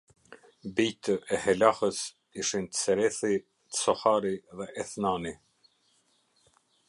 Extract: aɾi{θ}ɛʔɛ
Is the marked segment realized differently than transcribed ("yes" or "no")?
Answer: yes